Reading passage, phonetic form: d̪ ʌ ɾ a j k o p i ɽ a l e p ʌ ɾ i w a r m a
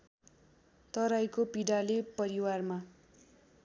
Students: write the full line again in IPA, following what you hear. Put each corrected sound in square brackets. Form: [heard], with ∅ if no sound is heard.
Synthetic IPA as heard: [t̪] ʌ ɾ a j k o p i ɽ a l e p ʌ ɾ i w a r m a